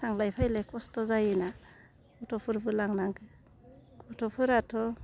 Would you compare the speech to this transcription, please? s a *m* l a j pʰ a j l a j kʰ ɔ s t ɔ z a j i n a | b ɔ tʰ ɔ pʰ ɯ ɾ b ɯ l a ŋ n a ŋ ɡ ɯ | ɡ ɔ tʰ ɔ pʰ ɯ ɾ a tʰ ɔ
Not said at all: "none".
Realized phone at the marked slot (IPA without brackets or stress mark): ŋ